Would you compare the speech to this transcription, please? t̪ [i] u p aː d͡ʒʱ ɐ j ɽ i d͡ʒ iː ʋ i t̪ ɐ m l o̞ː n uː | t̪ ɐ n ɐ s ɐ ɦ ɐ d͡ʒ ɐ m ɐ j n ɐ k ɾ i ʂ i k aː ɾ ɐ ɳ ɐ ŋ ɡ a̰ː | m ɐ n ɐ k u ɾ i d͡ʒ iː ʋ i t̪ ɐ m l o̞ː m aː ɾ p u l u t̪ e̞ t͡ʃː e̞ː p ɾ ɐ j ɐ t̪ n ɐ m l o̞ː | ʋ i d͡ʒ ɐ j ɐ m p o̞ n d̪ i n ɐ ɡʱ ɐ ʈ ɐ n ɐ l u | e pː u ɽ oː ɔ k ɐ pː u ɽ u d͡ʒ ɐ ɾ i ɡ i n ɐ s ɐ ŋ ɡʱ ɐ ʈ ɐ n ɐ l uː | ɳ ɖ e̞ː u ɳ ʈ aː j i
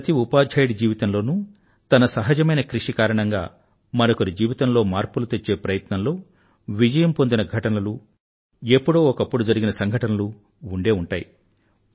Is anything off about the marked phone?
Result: no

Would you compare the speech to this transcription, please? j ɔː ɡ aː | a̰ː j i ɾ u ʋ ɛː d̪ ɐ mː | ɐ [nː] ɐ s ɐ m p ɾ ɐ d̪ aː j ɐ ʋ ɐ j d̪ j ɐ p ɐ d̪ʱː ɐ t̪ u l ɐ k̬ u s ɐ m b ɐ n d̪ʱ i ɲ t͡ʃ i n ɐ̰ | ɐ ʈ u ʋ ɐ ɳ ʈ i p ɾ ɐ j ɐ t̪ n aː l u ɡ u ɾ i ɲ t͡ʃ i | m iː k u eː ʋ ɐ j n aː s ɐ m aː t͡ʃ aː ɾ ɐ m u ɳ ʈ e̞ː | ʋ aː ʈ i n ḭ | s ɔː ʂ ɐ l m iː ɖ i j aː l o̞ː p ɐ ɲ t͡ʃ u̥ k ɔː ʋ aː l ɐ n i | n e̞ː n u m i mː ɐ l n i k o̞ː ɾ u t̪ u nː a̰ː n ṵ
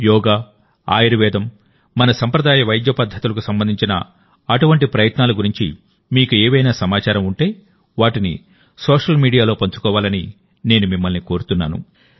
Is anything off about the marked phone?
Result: yes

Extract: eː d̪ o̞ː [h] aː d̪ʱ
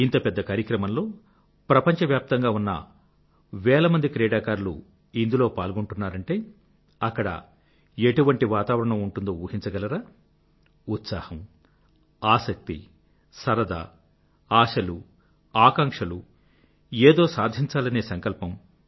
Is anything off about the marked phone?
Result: yes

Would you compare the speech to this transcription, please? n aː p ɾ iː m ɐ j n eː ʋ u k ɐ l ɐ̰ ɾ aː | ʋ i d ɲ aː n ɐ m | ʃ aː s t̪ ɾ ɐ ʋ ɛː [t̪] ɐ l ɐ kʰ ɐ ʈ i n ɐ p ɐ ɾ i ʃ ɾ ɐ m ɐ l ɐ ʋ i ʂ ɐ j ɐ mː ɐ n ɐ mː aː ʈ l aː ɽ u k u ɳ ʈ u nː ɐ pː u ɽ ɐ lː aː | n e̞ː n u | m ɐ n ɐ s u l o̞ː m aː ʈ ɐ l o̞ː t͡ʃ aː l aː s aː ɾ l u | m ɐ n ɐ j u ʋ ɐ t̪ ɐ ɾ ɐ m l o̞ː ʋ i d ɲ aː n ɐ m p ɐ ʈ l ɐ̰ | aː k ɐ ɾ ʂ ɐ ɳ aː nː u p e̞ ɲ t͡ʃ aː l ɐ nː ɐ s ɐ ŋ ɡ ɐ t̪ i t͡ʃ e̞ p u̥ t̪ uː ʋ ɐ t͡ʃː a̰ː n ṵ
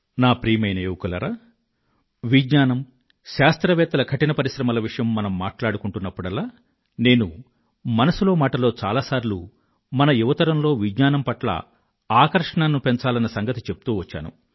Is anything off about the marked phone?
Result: no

